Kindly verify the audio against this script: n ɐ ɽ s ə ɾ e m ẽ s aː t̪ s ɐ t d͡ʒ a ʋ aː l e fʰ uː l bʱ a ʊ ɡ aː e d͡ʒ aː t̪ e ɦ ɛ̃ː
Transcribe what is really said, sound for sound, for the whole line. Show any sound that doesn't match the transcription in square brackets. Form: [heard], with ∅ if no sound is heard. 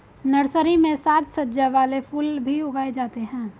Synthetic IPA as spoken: n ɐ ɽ s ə ɾ [i] m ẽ s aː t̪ s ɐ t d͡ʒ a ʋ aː l e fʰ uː l bʱ [i] ʊ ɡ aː e d͡ʒ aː t̪ e ɦ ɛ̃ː